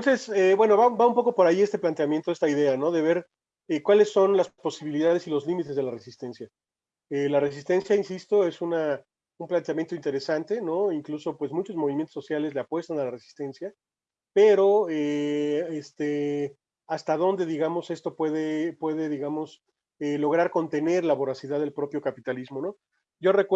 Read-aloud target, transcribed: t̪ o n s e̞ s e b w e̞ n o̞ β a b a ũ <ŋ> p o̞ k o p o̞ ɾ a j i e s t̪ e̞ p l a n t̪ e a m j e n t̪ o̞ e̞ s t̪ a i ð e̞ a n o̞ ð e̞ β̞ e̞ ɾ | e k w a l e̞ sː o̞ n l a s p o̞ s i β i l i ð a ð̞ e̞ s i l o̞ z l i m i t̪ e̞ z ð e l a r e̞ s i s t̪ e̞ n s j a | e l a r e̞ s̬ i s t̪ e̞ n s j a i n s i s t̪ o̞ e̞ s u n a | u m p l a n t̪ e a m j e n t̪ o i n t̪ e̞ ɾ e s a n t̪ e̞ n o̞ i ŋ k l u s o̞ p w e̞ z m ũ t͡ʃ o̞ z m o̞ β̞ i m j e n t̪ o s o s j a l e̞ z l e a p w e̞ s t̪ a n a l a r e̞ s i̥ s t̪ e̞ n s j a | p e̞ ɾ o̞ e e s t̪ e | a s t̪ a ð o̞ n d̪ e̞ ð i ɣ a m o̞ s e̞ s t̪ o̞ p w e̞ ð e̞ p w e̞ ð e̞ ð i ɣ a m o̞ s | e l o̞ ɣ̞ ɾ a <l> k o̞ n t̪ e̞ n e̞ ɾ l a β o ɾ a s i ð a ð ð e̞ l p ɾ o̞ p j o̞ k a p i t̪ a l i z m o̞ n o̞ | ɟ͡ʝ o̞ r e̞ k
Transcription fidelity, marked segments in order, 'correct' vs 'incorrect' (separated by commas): incorrect, incorrect